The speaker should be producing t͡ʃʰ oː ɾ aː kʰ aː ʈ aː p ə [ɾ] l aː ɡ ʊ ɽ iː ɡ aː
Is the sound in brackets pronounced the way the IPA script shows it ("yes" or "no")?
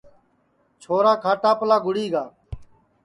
no